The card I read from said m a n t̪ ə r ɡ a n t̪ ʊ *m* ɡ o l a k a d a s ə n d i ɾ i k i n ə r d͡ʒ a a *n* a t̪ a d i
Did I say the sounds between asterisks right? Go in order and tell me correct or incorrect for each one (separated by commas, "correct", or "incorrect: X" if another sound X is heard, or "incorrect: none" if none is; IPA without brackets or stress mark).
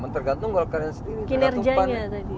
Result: incorrect: ŋ, incorrect: ɲ